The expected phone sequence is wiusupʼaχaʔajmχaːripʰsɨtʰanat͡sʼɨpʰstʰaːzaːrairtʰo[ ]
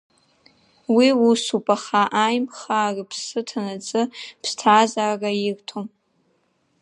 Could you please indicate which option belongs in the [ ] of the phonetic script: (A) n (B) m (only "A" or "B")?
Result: B